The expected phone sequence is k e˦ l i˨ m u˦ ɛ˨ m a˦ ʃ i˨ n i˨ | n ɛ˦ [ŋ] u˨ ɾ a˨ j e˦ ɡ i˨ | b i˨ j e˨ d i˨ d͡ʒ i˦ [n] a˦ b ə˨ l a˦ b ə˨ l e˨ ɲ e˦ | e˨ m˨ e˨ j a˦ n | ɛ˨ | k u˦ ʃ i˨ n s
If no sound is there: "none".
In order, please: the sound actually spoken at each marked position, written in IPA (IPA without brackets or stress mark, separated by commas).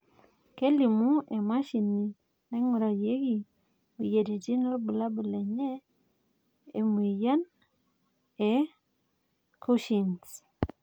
ŋ, n